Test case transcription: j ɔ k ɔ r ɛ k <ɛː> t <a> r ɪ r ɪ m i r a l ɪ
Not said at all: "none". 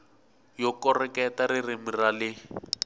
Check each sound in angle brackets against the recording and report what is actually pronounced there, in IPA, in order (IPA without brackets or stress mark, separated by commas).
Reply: ɛ, a